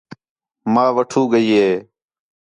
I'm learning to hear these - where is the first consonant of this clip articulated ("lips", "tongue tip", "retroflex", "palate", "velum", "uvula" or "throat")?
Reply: lips